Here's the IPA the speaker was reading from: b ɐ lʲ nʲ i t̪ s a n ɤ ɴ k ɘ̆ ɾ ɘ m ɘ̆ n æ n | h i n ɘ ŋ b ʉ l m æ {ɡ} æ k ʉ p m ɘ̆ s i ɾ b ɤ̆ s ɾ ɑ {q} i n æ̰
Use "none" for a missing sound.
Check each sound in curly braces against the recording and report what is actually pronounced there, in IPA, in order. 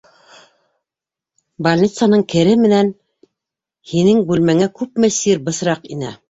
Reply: ŋ, q

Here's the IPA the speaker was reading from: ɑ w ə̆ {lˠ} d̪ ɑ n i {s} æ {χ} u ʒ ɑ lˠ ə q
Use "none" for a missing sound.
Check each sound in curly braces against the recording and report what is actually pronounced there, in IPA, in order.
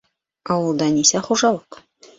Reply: lˠ, s, χ

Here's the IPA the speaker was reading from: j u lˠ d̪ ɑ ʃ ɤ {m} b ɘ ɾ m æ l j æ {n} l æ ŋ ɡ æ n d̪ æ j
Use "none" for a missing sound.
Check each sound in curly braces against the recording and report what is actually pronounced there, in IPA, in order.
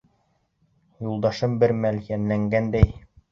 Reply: m, n

